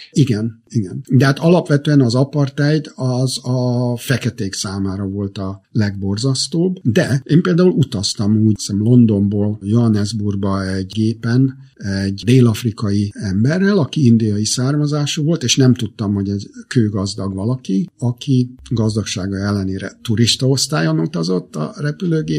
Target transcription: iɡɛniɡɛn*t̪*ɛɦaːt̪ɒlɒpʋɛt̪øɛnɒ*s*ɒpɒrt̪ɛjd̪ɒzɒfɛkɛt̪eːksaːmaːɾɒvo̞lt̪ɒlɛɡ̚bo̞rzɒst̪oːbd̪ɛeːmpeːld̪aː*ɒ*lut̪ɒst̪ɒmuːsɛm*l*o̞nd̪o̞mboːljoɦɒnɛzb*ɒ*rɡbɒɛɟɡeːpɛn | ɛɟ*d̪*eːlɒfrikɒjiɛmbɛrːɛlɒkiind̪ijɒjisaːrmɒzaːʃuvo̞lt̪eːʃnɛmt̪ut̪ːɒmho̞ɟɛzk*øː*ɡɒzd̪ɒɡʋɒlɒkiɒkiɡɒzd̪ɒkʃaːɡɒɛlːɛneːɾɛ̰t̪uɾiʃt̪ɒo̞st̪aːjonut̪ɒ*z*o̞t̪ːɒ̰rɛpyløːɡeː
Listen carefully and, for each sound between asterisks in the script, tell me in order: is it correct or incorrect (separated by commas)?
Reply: incorrect, incorrect, incorrect, correct, incorrect, correct, correct, correct